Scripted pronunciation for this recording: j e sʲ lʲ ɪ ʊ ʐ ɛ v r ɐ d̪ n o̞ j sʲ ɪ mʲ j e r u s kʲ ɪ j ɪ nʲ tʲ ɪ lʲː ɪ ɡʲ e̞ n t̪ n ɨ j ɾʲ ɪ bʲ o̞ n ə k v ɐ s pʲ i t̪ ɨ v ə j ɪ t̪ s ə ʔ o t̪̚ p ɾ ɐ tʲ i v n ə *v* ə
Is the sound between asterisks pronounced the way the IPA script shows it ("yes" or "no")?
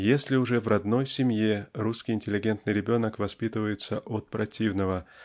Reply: yes